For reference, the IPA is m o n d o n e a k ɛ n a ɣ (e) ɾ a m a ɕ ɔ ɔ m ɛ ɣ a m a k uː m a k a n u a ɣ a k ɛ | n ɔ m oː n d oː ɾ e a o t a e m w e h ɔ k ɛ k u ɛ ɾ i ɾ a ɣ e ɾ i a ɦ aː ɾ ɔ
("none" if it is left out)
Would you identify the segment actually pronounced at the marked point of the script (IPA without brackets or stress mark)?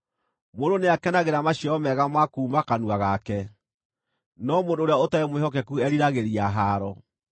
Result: e